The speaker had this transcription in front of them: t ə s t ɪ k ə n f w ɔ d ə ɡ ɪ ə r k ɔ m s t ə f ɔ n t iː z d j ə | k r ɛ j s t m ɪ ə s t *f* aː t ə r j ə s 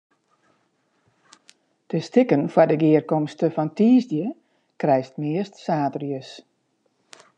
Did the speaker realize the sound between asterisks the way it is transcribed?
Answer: no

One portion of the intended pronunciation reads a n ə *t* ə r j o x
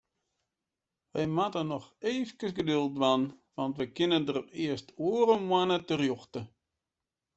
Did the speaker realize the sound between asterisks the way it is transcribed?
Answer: yes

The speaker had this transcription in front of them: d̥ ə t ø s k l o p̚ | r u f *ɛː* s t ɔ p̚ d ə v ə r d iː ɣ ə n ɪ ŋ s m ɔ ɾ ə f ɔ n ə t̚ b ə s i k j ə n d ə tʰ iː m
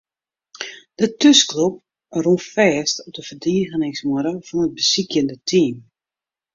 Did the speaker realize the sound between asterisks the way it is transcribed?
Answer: yes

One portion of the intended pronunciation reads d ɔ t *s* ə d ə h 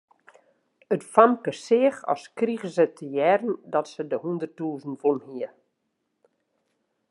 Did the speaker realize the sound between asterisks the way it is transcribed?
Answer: yes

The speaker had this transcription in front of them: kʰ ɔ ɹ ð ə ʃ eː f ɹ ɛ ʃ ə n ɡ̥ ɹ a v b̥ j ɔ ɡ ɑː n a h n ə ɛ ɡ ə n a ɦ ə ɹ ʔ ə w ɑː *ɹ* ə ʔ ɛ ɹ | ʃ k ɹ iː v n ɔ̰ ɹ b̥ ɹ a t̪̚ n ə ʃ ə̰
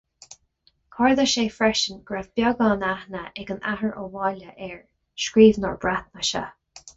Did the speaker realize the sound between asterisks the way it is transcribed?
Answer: no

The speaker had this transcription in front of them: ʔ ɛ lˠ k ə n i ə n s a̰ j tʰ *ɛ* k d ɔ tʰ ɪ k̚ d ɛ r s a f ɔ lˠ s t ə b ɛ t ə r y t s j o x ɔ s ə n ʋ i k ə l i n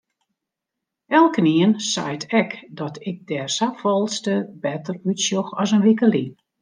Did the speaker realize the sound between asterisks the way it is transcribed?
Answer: yes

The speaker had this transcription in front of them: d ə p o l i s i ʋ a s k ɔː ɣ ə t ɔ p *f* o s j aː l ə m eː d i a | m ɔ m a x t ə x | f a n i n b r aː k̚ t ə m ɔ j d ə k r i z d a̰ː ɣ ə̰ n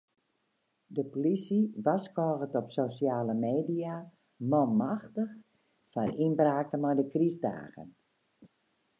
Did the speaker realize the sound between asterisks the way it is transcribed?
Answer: no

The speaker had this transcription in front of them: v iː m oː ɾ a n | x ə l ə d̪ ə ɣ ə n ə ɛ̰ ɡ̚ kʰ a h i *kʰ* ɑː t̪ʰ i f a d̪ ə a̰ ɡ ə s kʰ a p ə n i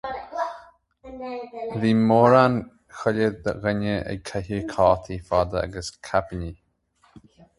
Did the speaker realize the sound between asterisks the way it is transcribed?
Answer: yes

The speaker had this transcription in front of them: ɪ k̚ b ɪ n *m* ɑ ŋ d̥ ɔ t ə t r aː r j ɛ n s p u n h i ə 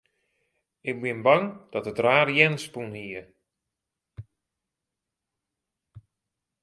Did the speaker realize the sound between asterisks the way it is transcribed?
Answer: no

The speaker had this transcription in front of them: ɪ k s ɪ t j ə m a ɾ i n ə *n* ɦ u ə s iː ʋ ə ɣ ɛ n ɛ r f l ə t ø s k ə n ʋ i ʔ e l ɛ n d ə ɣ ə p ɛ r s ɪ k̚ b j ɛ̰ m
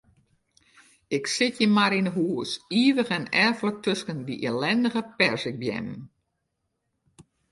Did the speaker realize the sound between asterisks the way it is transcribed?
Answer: no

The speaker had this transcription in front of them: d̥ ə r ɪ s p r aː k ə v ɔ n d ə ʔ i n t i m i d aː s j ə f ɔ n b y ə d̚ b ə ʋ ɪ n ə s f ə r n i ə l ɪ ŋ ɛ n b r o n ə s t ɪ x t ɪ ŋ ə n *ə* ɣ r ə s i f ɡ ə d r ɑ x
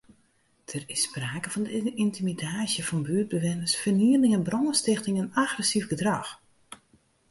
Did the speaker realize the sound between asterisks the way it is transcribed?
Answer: no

